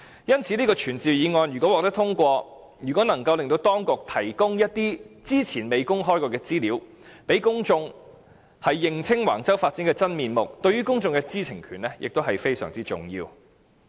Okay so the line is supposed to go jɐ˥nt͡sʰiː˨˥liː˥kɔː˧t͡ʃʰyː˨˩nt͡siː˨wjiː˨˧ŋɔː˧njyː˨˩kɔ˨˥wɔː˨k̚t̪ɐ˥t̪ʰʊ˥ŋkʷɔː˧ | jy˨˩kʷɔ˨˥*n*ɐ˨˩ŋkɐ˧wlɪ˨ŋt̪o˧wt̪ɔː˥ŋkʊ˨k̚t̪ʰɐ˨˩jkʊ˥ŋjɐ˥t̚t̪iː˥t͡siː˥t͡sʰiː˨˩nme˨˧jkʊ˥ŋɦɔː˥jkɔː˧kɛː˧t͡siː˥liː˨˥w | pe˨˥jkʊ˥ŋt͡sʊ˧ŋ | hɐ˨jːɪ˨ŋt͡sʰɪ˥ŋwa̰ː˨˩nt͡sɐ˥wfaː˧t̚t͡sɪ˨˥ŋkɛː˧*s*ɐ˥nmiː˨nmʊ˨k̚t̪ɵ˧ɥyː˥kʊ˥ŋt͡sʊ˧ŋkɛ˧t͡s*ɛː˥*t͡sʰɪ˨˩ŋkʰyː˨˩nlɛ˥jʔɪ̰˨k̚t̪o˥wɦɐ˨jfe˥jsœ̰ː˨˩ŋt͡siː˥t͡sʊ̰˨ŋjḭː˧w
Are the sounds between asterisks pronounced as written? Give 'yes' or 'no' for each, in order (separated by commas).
yes, no, no